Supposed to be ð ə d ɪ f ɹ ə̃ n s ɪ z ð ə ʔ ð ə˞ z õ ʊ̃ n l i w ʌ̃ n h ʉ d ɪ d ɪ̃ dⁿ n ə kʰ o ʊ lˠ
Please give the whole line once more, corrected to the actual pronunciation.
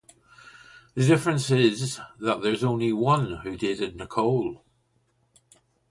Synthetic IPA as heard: ð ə d ɪ f ɹ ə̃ n s ɪ z ð ə ʔ ð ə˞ z õ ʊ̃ n l i w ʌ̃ n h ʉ d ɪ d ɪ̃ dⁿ n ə kʰ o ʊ lˠ